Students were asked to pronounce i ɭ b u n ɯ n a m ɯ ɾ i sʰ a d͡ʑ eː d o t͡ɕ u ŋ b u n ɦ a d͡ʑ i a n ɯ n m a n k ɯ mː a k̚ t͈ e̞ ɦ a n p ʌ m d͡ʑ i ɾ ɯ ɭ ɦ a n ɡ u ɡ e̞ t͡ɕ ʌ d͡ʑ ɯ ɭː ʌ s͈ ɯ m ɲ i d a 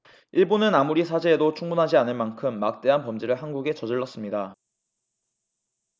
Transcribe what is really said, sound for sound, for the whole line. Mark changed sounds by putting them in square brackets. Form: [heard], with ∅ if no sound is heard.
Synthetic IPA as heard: i ɭ b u n ɯ n a m [u] ɾ i sʰ a d͡ʑ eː d o [t͡ɕʰ] u ŋ b u n ɦ a d͡ʑ i a n ɯ n m a n [kʰ] ɯ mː a k̚ t͈ e̞ ɦ a n p ʌ m d͡ʑ i ɾ ɯ ɭ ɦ a n ɡ u ɡ e̞ t͡ɕ ʌ d͡ʑ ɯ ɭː ʌ s͈ ɯ m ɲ i d a